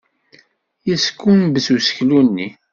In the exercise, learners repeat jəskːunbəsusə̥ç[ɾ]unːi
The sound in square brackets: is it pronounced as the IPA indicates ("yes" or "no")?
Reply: no